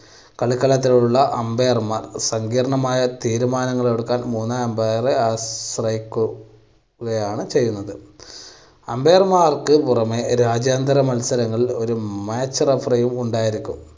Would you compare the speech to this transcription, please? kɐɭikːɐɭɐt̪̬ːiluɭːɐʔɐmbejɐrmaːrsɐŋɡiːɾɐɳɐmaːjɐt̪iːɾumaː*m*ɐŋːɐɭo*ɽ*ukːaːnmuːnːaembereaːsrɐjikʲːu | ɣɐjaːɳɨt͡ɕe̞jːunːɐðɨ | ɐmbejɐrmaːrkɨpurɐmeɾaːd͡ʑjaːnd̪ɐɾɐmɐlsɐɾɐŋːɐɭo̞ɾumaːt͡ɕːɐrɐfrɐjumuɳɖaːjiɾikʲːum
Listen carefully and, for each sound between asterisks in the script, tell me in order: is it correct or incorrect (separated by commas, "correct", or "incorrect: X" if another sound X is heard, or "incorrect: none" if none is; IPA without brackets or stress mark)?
incorrect: n, correct